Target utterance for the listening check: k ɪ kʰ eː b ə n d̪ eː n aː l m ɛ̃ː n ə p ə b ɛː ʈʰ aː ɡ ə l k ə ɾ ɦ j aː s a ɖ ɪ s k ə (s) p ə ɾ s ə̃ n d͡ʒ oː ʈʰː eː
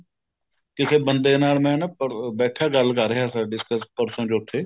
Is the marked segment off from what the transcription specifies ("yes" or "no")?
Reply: no